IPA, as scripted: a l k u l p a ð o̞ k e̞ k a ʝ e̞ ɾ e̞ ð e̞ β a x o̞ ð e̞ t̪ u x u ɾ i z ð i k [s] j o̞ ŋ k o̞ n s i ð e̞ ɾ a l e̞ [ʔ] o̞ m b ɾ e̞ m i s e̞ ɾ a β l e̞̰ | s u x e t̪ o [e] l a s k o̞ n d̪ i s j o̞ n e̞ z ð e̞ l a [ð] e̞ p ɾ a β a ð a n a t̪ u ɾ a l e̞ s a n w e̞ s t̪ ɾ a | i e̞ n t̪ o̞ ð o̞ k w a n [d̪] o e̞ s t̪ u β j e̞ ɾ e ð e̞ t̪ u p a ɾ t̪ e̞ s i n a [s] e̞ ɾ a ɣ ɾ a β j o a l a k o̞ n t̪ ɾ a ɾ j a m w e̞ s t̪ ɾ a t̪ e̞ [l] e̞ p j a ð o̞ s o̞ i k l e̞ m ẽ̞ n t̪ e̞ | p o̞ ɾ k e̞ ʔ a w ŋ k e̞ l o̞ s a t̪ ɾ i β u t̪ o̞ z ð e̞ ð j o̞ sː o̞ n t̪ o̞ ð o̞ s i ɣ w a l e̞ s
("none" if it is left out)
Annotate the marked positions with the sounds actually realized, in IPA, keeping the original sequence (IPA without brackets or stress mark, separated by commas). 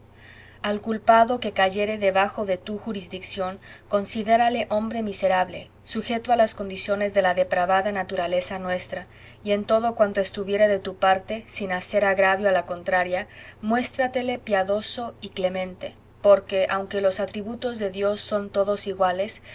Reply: s, ʔ, a, ð, t̪, s, l